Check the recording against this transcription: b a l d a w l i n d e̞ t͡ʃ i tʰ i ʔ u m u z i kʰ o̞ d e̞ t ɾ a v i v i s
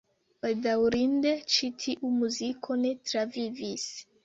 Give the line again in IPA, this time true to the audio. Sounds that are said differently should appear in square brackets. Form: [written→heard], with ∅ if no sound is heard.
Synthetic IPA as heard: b a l d a w [l→ɾ] i n d e̞ t͡ʃ i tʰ i ʔ u m u z i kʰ o̞ [d→n] e̞ t ɾ a v i v i s